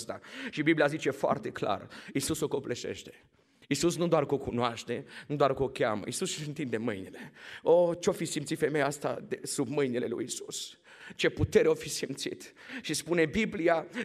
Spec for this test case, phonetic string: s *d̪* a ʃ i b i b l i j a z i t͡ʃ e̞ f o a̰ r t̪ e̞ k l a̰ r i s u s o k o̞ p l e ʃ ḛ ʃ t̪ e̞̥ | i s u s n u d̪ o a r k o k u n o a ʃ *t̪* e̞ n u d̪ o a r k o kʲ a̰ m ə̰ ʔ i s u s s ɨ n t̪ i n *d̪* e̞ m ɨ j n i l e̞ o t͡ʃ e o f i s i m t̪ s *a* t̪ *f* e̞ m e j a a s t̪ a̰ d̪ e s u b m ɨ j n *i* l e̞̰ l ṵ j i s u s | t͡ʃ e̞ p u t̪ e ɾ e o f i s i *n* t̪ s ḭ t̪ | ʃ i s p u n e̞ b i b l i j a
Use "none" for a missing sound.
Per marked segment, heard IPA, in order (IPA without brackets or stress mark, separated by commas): t̪, t̪, d̪, i, f, i, m